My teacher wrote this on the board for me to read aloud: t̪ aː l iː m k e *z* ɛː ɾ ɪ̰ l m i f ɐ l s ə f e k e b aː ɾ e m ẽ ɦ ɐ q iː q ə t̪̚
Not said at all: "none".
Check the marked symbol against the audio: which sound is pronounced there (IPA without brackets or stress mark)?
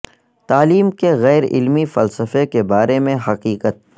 ɣ